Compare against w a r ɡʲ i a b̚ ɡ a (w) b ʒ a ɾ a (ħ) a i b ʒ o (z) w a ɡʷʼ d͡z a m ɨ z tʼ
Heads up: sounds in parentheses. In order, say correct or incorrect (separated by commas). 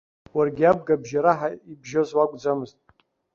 incorrect, correct, correct